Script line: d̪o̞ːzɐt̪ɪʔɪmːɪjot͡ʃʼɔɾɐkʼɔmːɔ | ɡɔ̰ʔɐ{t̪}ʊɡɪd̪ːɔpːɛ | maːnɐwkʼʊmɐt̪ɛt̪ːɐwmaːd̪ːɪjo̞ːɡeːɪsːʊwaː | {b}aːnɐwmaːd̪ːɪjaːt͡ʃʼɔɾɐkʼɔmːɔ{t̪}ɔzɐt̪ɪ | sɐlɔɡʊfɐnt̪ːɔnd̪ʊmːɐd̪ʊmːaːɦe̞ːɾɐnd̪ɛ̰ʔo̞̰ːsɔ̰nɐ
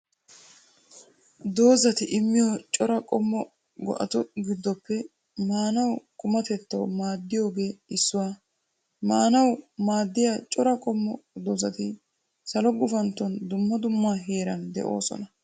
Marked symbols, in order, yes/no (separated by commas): yes, no, no